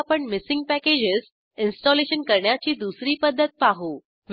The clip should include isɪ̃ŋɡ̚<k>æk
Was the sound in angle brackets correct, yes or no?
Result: no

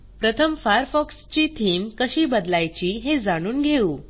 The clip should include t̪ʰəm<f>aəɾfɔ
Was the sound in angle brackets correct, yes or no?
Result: yes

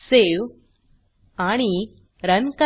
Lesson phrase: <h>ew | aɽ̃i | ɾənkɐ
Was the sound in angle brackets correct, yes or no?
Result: no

